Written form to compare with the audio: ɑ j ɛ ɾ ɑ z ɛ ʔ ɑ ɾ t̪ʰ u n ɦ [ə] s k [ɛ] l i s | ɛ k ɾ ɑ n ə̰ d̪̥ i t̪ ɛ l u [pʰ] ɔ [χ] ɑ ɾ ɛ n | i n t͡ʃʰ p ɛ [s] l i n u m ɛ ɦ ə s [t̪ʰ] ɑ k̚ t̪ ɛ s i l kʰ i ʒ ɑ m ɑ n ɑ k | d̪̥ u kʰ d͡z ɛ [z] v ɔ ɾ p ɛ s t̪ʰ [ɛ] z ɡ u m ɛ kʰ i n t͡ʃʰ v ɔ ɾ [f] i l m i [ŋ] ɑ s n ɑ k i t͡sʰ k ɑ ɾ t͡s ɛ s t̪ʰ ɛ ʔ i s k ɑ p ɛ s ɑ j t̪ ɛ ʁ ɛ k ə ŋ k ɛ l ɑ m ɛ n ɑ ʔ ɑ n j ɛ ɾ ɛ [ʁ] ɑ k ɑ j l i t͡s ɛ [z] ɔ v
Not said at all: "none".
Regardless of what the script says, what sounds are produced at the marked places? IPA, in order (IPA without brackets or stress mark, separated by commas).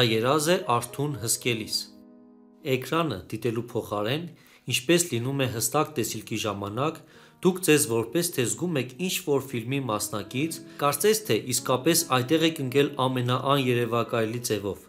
ə, ɛ, pʰ, χ, s, t̪, z, ɛ, f, m, v, v